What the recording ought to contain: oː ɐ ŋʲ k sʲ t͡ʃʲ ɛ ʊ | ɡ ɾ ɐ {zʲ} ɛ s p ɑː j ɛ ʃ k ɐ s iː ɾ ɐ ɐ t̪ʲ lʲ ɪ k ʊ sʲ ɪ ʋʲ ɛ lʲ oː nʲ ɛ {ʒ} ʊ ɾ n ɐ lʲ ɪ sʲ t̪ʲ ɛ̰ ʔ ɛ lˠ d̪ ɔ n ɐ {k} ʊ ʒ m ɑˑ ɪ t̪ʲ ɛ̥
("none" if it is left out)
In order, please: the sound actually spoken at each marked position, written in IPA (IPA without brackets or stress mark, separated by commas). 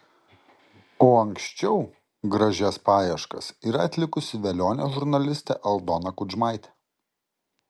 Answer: ʒʲ, ʒ, k